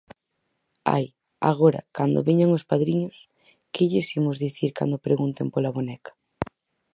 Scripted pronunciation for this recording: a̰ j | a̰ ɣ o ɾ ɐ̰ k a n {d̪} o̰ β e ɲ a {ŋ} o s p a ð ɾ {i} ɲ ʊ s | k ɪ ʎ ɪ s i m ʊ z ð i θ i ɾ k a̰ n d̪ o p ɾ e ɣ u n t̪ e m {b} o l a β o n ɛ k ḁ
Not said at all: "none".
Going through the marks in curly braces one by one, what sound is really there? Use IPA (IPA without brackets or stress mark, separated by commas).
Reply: d̪, ŋ, i, p